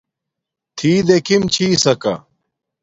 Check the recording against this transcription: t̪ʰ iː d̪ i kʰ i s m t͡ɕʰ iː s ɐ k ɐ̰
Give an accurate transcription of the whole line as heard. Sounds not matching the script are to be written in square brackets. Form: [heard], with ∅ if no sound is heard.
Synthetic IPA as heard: t̪ʰ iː d̪ [e] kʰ i [∅] m t͡ɕʰ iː s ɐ k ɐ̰